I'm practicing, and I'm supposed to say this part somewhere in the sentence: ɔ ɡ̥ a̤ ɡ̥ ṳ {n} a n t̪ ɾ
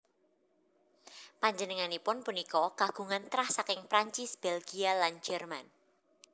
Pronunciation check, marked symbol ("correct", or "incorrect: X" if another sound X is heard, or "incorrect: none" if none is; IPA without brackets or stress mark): incorrect: ŋ